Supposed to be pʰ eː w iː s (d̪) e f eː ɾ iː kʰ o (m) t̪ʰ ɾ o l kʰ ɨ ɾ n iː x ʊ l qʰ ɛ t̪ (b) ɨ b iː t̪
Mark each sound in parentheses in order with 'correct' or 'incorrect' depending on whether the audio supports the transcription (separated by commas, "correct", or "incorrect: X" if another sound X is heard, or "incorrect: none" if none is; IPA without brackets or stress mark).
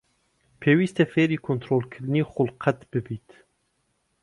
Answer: incorrect: t̪, incorrect: n, correct